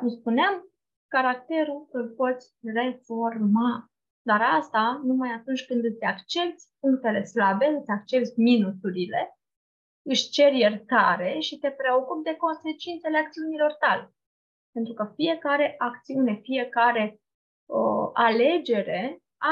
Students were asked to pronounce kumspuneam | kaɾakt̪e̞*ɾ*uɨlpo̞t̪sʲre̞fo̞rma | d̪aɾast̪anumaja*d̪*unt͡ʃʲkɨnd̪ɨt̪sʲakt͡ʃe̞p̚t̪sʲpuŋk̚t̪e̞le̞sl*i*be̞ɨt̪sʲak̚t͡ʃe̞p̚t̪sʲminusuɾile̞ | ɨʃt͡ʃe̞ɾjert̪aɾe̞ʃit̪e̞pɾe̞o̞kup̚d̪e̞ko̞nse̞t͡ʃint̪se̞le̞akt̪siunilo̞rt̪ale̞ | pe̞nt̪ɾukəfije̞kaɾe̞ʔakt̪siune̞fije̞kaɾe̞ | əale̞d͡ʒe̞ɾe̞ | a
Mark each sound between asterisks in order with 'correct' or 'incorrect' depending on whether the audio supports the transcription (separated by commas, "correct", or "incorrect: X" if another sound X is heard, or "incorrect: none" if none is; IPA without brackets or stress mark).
correct, incorrect: t̪, incorrect: a